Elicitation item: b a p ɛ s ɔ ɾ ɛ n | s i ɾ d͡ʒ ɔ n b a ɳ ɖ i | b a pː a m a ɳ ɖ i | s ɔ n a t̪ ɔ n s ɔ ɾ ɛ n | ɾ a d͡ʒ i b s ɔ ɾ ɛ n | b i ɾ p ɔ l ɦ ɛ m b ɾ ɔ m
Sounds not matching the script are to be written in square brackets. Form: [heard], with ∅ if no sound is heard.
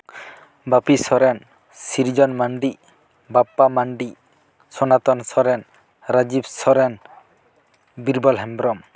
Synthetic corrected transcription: b a p [i] s ɔ ɾ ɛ n | s i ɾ d͡ʒ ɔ n [m] a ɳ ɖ i | b a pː a m a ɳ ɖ i | s ɔ n a t̪ ɔ n s ɔ ɾ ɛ n | ɾ a d͡ʒ i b s ɔ ɾ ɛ n | b i ɾ [b] ɔ l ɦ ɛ m b ɾ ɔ m